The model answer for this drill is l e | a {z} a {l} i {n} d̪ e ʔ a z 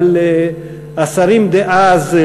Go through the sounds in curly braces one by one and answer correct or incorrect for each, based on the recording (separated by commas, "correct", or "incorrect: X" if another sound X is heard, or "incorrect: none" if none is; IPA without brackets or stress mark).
incorrect: s, incorrect: ɾ, incorrect: m